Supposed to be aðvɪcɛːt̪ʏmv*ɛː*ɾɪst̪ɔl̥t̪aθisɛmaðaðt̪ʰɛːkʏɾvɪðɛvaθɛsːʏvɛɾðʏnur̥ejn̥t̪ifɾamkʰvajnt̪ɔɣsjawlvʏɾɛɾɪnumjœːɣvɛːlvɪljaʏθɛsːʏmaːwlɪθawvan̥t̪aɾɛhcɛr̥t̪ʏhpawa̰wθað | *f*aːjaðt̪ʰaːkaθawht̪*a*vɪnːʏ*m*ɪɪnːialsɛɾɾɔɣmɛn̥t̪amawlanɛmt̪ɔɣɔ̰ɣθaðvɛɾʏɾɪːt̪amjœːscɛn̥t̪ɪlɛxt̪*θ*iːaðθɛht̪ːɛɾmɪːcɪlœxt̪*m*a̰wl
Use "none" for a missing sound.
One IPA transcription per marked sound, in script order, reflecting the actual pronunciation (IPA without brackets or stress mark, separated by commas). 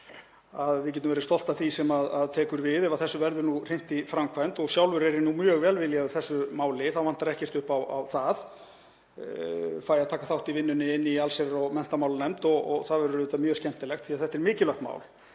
ɛ, f, i, n, θ, m